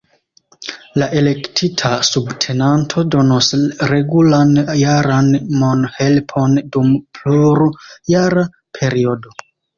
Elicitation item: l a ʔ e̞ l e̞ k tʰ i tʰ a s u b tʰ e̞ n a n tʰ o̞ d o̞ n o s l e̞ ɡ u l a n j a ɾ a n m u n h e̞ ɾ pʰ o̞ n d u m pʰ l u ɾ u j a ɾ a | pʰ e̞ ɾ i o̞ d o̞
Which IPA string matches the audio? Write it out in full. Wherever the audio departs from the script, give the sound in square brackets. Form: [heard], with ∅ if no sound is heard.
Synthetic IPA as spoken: l a ʔ e̞ l e̞ k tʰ i tʰ a s u b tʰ e̞ n a n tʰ o̞ d o̞ n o s [ɾ] e̞ ɡ u l a n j a ɾ a n m [o] n h e̞ [l] pʰ o̞ n d u m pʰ l u ɾ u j a ɾ a | pʰ e̞ ɾ i o̞ d o̞